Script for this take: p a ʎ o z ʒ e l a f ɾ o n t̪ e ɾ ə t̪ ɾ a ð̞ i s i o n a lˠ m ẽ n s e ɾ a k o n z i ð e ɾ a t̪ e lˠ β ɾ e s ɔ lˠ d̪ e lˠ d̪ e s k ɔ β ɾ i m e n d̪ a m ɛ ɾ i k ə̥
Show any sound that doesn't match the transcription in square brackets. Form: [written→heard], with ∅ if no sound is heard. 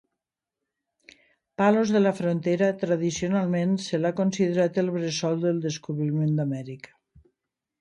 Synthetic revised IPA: p a [ʎ→l] o z [ʒ→ð] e l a f ɾ o n t̪ e ɾ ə t̪ ɾ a ð̞ i s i o n a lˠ m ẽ n s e [ɾ→l] a k o n [z→s] i ð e ɾ a t̪ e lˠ β ɾ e s ɔ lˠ d̪ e lˠ d̪ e s k [ɔ→u] β ɾ i m e n d̪ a m ɛ ɾ i k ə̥